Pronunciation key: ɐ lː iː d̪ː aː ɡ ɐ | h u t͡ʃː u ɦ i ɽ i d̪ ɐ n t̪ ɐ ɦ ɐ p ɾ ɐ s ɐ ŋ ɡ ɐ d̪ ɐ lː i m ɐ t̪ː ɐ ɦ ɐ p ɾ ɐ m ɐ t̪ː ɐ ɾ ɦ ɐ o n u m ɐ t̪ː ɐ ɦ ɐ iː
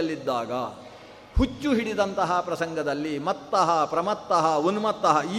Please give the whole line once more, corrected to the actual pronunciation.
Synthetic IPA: ɐ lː i d̪ː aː ɡ ɐ | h u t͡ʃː u ɦ i ɽ i d̪ ɐ n t̪ ɐ ɦ ɐ p ɾ ɐ s ɐ ŋ ɡ ɐ d̪ ɐ lː i m ɐ t̪ː ɐ ɦ ɐ p ɾ ɐ m ɐ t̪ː ɐ ɦ ɐ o n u m ɐ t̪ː ɐ ɦ ɐ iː